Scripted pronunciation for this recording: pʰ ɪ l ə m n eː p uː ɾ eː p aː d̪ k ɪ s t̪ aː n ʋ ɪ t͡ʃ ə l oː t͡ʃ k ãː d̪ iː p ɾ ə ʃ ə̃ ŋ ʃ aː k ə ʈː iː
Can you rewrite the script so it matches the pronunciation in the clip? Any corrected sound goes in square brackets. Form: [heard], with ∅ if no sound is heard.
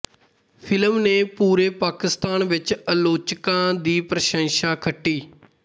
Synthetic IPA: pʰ ɪ l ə m n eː p uː ɾ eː p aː [∅] k ɪ s t̪ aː n ʋ ɪ t͡ʃ ə l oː t͡ʃ k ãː d̪ iː p ɾ ə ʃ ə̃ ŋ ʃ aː [kʰ] ə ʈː iː